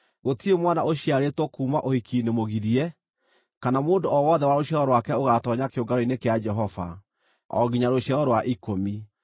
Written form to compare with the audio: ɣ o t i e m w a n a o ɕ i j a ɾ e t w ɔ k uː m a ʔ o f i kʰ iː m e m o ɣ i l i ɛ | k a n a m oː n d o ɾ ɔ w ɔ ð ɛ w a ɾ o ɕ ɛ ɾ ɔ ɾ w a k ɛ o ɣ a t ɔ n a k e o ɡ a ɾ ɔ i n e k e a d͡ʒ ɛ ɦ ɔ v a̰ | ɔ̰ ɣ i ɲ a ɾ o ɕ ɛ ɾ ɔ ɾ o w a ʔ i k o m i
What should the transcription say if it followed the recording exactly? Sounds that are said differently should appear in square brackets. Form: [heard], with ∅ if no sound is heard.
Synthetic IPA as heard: ɣ o t i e m w a n a o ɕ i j a ɾ e t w ɔ k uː m a ʔ o [h] i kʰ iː [n] e m o ɣ i [ɾ] i ɛ | k a n a m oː n d o [∅] ɔ w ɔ ð ɛ w a ɾ o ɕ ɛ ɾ ɔ ɾ w a k ɛ o ɣ a t ɔ [ɲ] a k e o ɡ a ɾ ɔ i n e k e a d͡ʒ ɛ ɦ ɔ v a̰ | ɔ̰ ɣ i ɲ a ɾ o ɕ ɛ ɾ ɔ ɾ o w a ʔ i k o m i